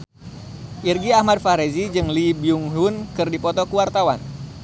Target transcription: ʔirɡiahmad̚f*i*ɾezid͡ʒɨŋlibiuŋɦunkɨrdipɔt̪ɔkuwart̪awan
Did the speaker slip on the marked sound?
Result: yes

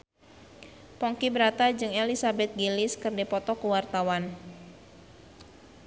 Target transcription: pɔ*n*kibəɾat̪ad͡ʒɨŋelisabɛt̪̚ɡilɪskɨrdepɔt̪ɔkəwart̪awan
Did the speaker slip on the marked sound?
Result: yes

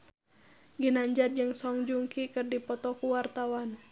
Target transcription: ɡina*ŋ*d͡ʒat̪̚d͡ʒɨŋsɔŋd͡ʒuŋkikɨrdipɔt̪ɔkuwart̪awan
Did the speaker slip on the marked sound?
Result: yes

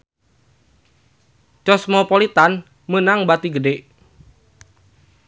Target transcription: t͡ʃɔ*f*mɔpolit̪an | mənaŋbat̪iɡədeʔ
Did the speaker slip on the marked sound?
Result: yes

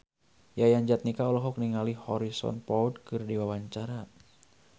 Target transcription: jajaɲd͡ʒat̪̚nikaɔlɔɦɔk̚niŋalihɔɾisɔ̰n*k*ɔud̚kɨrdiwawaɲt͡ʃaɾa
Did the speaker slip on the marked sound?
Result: yes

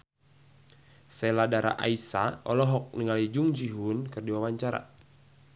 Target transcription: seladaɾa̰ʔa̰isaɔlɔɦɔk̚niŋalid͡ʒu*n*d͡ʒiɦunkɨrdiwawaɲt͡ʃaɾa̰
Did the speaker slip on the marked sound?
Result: yes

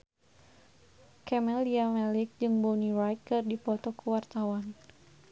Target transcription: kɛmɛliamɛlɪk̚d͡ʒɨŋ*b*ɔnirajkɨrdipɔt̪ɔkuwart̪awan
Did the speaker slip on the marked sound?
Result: no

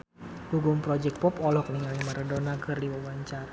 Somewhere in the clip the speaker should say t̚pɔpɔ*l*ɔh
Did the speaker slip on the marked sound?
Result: no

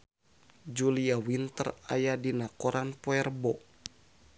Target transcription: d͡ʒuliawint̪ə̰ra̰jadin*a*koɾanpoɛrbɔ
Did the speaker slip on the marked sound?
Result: no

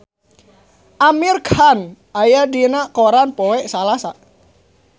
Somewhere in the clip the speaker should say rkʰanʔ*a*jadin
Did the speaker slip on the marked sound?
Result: no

